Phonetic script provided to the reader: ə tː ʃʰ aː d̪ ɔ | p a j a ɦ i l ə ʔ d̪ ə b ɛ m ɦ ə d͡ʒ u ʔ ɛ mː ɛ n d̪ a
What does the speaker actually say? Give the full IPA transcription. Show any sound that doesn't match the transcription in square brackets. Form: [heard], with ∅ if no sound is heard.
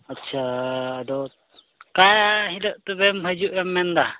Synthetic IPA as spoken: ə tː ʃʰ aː d̪ ɔ | [k] a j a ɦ i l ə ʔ [t̪] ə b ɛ m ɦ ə d͡ʒ u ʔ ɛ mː ɛ n d̪ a

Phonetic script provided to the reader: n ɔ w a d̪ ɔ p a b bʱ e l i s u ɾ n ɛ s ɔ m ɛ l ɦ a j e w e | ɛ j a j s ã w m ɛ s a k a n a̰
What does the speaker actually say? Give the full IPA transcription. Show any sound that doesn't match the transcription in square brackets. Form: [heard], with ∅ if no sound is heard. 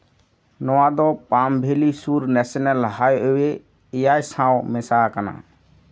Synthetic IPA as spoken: n ɔ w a d̪ ɔ p a [m] bʱ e l i s u ɾ n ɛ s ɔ [n] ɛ l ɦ a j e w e | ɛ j a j s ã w m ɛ s a k a n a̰

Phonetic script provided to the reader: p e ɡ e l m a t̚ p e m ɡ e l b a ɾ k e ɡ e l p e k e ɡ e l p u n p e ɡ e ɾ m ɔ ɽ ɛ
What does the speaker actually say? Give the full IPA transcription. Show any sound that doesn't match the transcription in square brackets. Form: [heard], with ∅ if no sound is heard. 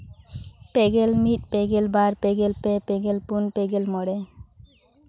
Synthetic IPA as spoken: p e ɡ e l m [i] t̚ p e [∅] ɡ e l b a ɾ [p] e ɡ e l p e [p] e ɡ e l p u n p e ɡ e [l] m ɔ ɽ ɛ

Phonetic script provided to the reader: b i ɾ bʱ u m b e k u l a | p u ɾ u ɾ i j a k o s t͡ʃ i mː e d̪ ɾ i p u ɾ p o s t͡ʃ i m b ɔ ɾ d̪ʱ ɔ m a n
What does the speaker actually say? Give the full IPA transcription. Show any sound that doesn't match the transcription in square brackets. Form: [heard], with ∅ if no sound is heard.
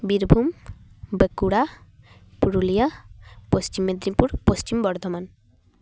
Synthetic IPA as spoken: b i ɾ bʱ u m b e k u [ɽ] a | p u ɾ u [l] i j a [p] o s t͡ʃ i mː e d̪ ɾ i p u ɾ p o s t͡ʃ i m b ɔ ɾ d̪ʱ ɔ m a n

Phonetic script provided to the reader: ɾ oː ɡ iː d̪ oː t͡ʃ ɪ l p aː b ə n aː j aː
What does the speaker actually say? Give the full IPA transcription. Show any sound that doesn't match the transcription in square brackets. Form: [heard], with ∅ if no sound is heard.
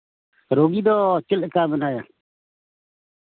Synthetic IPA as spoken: ɾ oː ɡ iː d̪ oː t͡ʃ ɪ l [k] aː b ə n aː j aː

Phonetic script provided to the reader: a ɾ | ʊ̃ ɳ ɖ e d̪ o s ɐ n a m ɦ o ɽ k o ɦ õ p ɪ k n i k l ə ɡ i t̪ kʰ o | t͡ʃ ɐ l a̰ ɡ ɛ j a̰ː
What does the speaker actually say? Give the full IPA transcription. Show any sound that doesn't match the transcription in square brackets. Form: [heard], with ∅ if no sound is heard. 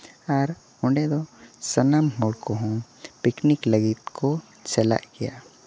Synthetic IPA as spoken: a ɾ | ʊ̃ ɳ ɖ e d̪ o s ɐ n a m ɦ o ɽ k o ɦ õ p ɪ k n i k l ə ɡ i t̪ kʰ o | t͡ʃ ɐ l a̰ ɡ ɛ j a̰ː

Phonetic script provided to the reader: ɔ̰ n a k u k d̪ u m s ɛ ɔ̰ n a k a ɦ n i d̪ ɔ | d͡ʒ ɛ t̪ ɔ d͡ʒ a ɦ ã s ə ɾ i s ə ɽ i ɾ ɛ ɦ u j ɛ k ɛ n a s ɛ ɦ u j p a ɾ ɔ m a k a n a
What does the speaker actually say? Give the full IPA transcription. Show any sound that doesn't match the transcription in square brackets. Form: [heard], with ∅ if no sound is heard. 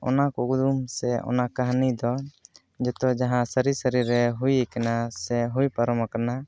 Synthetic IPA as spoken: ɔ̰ n a k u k d̪ u m s ɛ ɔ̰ n a k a ɦ n i d̪ ɔ | d͡ʒ ɛ t̪ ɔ d͡ʒ a ɦ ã s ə ɾ i s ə [ɾ] i ɾ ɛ ɦ u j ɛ k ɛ n a s ɛ ɦ u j p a ɾ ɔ m a k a n a

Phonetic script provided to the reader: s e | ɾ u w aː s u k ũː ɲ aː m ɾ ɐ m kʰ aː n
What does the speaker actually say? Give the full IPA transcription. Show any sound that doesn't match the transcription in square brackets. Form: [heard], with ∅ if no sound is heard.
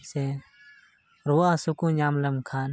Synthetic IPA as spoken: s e | ɾ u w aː s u k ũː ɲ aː m [l] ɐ m kʰ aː n

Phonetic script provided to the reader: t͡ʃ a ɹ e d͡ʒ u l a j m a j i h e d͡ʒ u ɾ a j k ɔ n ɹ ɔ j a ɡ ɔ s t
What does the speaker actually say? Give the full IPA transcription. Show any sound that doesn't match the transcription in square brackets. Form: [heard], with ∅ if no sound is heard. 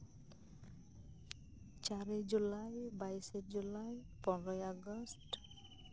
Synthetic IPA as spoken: t͡ʃ a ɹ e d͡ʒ u l a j [b] a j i [s] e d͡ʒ u [l] a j [p] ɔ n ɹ ɔ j a ɡ ɔ s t

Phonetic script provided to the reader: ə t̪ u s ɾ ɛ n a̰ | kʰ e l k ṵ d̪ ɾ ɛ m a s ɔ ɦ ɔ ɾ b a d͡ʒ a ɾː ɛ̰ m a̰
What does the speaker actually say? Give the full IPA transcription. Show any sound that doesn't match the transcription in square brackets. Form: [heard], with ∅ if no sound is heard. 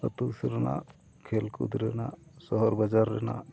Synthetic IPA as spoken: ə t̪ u s ɾ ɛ n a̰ | kʰ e l k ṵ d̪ ɾ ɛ [n] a s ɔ ɦ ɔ ɾ b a d͡ʒ a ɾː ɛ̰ [n] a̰

